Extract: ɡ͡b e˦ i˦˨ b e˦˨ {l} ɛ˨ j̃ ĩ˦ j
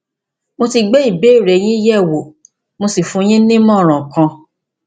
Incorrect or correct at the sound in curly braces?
incorrect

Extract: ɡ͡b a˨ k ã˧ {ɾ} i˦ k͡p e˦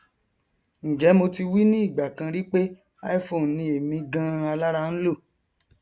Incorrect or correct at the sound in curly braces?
correct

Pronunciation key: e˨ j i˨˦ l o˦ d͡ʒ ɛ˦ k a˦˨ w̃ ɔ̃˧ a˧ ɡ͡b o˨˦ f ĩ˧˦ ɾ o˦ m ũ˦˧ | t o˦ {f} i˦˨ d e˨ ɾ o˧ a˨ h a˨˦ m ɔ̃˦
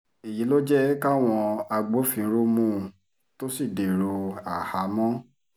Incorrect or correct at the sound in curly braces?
incorrect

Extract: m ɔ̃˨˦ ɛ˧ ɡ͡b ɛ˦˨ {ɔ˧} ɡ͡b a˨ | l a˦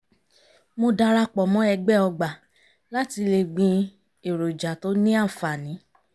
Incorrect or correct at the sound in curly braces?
correct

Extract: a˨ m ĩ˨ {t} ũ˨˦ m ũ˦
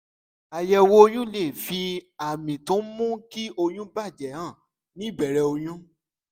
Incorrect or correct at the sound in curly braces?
correct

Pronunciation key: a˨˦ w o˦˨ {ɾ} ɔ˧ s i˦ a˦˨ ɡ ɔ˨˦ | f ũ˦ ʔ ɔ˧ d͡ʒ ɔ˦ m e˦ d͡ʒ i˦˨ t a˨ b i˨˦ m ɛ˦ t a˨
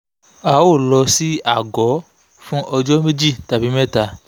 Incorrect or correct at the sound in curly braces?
incorrect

